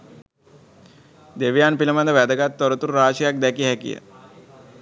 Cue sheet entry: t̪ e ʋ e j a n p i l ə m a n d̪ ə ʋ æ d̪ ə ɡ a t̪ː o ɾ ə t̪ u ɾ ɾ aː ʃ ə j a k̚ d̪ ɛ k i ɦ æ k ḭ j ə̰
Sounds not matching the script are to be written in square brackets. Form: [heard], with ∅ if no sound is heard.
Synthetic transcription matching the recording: [d̪] e ʋ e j a n p i l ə m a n d̪ ə ʋ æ d̪ ə ɡ a t̪ː o ɾ ə t̪ u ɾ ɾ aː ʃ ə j a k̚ d̪ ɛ k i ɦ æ k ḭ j ə̰